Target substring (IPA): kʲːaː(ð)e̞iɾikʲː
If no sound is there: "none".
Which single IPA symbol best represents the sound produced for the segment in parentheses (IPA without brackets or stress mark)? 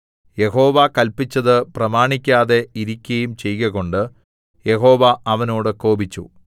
ð